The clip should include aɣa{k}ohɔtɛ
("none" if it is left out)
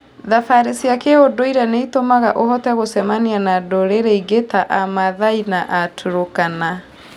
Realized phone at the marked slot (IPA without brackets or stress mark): ʔ